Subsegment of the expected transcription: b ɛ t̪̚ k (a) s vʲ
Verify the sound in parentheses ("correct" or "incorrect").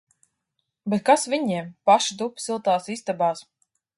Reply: correct